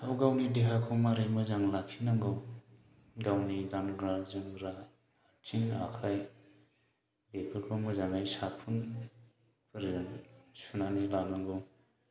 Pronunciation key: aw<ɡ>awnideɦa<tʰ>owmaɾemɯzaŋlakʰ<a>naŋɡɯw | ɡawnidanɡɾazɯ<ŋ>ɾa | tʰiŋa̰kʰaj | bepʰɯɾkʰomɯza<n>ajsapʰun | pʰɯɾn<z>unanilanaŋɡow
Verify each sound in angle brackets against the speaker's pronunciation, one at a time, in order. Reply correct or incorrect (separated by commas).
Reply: correct, incorrect, incorrect, correct, incorrect, incorrect